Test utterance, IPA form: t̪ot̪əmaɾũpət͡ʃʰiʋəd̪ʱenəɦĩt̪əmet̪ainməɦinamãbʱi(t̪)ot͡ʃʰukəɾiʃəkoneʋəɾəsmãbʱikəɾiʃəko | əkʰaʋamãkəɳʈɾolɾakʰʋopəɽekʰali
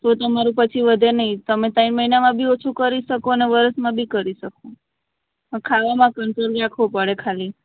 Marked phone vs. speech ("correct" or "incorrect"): incorrect